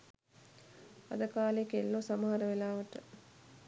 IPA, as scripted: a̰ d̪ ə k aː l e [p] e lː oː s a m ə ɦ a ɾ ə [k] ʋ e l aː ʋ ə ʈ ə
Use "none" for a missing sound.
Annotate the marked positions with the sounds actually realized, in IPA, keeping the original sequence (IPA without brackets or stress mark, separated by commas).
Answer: k, none